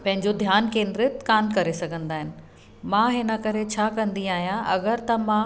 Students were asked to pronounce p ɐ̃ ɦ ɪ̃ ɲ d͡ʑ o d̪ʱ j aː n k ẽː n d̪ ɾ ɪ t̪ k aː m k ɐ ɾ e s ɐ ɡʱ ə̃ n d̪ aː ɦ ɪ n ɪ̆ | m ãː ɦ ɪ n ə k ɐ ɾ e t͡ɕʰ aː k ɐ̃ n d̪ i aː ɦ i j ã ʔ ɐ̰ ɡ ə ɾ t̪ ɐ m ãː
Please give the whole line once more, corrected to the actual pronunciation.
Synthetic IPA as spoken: p ɐ̃ ɦ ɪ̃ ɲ d͡ʑ o d̪ʱ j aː n k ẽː n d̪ ɾ ɪ t̪ k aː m k ɐ ɾ e s ɐ ɡʱ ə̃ n d̪ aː ɦ ɪ n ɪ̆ | m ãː ɦ ɪ n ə k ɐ ɾ e t͡ɕʰ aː k ɐ̃ n d̪ i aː ɦ i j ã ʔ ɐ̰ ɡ ə ɾ t̪ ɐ m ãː